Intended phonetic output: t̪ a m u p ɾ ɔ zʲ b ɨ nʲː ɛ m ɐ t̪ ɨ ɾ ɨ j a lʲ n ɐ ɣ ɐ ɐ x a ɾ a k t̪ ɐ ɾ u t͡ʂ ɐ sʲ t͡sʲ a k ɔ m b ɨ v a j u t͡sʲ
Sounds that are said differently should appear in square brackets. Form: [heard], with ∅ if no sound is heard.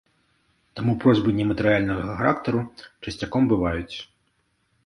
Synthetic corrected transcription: t̪ a m u p ɾ ɔ zʲ b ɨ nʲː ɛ m ɐ t̪ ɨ ɾ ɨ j a lʲ n ɐ ɣ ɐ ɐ x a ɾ a k t̪ ɐ ɾ u t͡ʂ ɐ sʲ t͡sʲ a k ɔ m b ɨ v a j u t͡sʲ